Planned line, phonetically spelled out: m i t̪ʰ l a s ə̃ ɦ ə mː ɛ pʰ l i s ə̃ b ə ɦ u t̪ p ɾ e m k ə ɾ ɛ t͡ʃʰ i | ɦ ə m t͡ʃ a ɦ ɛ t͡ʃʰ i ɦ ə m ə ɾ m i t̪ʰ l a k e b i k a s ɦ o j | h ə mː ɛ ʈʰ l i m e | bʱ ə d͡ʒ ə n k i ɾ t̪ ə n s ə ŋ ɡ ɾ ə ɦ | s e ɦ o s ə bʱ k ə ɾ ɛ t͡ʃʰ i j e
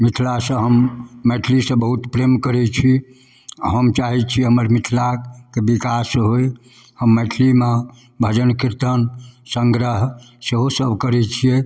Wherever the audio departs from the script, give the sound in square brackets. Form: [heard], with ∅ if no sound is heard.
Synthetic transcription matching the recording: m i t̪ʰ l a s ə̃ ɦ ə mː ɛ [ʈʰ] l i s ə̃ b ə ɦ u t̪ p ɾ e m k ə ɾ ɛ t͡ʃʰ i | ɦ ə m t͡ʃ a ɦ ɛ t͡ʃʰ i ɦ ə m ə ɾ m i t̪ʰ l a k e b i k a s ɦ o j | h ə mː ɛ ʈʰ l i m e | bʱ ə d͡ʒ ə n k i ɾ t̪ ə n s ə ŋ ɡ ɾ ə ɦ | s e ɦ o s ə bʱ k ə ɾ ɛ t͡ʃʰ i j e